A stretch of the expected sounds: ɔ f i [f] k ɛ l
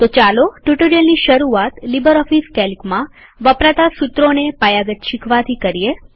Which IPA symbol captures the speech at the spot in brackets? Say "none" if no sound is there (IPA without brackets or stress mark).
s